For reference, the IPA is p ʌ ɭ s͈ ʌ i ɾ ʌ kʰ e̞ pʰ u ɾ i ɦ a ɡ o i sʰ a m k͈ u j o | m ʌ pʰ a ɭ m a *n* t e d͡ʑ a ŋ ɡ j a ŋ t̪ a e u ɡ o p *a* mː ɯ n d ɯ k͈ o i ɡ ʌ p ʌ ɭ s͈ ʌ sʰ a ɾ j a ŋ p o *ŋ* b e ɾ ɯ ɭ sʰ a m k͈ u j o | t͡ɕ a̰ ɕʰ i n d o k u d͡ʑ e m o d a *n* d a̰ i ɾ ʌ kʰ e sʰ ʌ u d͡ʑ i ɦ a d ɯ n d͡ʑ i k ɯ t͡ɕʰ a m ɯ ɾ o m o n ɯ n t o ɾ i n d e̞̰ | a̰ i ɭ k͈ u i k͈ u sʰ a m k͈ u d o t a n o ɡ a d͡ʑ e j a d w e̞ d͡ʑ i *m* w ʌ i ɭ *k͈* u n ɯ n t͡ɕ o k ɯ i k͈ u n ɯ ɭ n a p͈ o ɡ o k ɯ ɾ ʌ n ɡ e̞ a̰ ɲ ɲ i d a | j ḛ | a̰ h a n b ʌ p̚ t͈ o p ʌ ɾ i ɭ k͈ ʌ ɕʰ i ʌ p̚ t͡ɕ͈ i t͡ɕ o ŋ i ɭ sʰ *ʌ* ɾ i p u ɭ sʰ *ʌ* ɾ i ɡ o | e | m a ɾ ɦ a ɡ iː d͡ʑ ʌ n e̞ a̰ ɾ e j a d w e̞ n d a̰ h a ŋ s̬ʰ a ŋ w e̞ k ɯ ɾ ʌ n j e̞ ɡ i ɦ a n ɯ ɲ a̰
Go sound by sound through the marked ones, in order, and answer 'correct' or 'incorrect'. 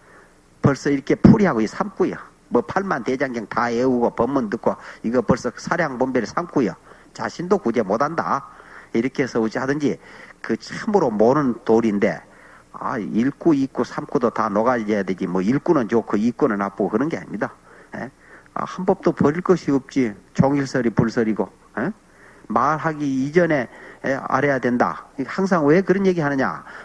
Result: correct, incorrect, incorrect, correct, correct, correct, correct, correct

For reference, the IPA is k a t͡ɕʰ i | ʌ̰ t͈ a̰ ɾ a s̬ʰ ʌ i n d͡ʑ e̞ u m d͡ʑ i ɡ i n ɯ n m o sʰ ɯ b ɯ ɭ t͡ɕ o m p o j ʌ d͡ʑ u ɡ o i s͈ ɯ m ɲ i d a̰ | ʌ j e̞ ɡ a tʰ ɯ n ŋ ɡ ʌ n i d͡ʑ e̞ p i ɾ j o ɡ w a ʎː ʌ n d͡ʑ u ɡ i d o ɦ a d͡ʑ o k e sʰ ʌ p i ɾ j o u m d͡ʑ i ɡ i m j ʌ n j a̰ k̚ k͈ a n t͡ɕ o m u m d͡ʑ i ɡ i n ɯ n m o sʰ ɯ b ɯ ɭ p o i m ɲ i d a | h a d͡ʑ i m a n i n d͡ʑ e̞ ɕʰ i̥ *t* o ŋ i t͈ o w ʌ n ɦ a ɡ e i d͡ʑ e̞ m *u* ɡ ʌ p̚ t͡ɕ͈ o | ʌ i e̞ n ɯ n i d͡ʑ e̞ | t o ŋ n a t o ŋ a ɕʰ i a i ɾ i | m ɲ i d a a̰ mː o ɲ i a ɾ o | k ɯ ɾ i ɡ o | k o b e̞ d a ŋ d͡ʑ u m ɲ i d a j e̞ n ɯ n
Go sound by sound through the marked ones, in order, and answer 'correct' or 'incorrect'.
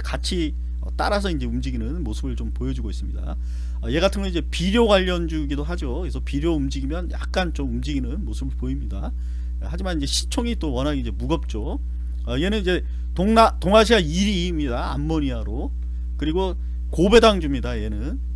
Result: incorrect, correct

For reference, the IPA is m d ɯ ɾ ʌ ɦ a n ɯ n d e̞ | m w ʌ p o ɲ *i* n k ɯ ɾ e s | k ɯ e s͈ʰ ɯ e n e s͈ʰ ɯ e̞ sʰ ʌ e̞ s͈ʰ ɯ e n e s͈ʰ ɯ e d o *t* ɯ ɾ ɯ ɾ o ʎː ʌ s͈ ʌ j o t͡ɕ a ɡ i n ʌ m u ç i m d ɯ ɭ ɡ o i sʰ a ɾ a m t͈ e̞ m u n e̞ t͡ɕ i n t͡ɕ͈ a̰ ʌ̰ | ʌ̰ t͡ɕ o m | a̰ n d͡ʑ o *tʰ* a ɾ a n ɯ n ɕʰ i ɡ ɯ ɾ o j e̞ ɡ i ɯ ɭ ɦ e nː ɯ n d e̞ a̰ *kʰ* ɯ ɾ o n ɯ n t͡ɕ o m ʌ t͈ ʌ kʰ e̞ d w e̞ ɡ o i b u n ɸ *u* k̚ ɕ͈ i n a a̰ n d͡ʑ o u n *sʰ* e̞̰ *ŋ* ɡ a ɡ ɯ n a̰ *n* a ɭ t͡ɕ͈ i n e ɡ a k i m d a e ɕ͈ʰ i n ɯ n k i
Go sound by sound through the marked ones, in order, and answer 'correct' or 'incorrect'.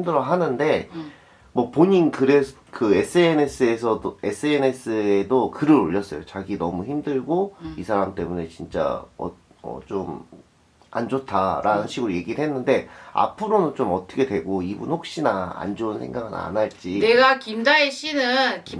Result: correct, incorrect, correct, incorrect, incorrect, correct, correct, correct

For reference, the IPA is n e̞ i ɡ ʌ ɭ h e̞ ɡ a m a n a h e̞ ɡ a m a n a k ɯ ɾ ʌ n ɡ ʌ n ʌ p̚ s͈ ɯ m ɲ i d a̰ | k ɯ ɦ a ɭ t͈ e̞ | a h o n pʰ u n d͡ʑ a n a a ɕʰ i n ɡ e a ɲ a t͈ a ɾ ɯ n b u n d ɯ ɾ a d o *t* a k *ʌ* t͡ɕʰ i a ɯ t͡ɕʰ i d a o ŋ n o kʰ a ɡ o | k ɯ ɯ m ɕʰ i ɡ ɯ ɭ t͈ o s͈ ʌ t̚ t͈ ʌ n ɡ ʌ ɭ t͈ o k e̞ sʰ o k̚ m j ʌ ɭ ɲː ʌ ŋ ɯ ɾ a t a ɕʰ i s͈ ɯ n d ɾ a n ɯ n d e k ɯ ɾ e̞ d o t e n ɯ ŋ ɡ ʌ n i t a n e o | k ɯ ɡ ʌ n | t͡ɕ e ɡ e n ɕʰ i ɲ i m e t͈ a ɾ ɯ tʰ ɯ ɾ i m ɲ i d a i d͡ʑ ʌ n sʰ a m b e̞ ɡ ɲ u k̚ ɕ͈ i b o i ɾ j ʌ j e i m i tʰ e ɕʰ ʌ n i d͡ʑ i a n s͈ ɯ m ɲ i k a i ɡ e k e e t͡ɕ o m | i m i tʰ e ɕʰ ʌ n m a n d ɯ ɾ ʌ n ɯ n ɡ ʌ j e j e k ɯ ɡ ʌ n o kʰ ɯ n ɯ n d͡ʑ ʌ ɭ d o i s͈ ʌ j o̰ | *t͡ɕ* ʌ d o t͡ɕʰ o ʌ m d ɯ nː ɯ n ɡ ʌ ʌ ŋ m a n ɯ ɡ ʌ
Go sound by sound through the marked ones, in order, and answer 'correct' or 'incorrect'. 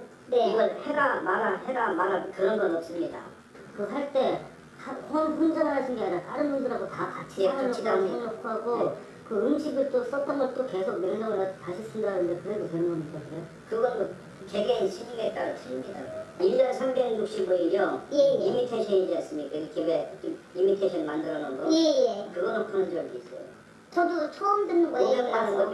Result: correct, incorrect, correct

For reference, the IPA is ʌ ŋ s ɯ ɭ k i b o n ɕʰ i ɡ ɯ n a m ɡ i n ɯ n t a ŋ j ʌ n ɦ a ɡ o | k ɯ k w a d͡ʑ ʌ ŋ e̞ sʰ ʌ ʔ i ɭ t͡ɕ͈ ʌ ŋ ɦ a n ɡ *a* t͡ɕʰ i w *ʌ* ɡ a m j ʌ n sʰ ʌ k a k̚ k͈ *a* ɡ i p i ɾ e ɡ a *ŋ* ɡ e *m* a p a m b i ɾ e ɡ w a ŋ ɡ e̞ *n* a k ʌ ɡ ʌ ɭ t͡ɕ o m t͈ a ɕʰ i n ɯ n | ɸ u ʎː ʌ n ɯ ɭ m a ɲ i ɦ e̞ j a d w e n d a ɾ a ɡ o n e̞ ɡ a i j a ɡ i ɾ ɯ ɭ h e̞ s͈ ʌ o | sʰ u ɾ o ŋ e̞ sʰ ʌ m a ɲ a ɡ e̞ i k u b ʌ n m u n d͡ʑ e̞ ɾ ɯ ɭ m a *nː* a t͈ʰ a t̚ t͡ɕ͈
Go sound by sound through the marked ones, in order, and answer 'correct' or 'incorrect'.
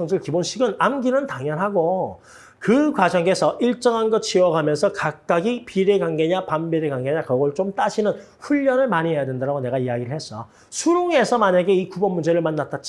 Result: incorrect, correct, correct, correct, incorrect, incorrect, correct

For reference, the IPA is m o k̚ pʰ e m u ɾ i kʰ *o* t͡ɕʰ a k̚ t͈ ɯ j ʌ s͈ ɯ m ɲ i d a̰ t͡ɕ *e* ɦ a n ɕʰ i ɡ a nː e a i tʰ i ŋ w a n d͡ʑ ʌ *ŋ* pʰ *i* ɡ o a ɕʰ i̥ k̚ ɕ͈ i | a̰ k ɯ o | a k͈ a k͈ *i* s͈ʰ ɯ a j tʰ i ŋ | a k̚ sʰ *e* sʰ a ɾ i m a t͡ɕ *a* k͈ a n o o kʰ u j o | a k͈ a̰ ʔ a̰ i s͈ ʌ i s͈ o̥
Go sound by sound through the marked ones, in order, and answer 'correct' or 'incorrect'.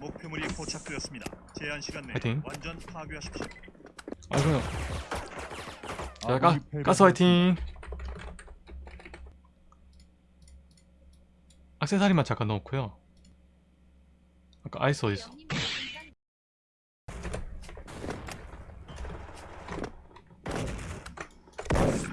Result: correct, correct, incorrect, incorrect, incorrect, correct, correct

